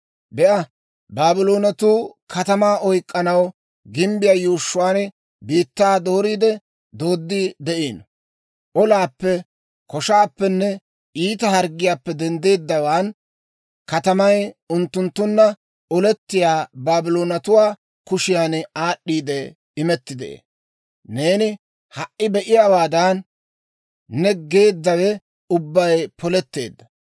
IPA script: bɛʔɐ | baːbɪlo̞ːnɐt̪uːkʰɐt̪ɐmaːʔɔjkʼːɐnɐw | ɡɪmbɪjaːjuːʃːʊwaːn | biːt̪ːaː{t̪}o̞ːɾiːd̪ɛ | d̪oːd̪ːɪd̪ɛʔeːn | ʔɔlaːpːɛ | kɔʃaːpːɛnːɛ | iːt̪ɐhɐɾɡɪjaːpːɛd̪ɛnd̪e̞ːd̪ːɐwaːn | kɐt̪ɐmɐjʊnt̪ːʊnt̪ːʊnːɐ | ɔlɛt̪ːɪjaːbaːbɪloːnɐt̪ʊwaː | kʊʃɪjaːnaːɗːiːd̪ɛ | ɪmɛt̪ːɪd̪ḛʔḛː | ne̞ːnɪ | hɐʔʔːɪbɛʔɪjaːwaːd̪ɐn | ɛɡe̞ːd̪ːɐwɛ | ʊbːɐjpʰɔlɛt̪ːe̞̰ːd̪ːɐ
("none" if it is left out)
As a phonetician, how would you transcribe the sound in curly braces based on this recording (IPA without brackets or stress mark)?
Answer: d̪